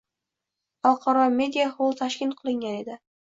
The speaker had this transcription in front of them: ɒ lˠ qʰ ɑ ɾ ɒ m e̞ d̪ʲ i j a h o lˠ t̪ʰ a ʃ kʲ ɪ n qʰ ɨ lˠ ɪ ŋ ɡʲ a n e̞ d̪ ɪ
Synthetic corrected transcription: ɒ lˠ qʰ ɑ ɾ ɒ m e̞ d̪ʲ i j a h o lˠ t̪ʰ a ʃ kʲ ɪ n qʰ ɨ lˠ ɪ ŋ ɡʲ a n e̞ d̪ ɪ